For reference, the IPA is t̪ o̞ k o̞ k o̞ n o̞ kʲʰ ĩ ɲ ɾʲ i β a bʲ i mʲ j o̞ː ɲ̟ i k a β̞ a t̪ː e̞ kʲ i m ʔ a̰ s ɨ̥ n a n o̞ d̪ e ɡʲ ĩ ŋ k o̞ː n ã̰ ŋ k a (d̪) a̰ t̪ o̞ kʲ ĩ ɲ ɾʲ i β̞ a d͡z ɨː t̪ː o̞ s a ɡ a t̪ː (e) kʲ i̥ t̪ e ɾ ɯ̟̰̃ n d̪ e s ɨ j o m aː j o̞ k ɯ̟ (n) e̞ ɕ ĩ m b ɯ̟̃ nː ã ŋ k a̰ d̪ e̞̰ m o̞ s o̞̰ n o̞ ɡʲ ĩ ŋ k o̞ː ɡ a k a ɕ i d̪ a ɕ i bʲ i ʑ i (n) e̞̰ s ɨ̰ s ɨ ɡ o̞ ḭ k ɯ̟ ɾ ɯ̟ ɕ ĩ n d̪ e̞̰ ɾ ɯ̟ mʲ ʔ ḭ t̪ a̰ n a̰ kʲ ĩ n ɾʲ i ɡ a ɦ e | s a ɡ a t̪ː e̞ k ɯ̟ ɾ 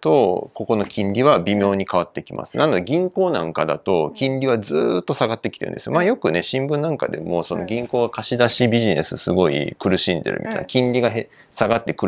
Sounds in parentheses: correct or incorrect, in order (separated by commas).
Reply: correct, correct, correct, correct